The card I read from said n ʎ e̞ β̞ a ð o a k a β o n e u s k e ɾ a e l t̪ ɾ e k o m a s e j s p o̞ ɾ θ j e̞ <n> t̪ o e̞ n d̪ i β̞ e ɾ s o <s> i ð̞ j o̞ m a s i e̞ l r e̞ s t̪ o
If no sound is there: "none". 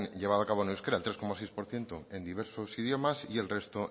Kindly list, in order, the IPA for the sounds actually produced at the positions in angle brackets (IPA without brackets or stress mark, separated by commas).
n, s